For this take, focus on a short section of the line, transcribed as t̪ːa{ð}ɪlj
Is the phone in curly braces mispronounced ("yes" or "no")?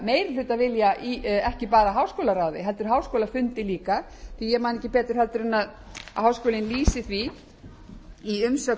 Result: yes